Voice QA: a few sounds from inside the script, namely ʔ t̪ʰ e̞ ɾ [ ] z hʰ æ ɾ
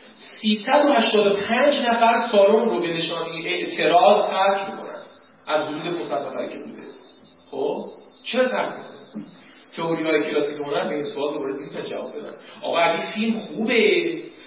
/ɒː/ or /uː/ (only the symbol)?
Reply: ɒː